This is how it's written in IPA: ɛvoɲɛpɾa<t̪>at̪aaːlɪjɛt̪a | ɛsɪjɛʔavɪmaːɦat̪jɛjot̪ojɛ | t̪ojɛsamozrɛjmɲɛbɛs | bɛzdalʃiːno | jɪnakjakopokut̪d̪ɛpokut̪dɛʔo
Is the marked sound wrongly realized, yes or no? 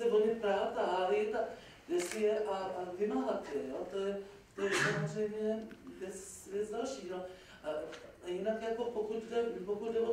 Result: yes